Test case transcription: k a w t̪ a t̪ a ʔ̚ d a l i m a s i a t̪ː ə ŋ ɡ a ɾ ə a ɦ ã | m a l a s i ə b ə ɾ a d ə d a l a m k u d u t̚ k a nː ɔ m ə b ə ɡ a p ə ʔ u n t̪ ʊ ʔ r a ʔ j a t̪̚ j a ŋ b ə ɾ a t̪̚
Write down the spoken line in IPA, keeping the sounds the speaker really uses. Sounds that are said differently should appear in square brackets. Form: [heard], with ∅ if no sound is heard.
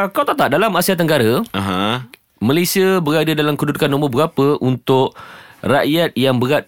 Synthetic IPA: k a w t̪ a t̪ a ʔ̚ d a l [a] m a s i a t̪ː ə ŋ ɡ a ɾ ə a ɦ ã | m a l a s i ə b ə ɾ a d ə d a l a m k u d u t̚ k a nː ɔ m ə b ə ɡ a p ə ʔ u n t̪ ʊ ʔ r a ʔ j a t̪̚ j a ŋ b ə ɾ a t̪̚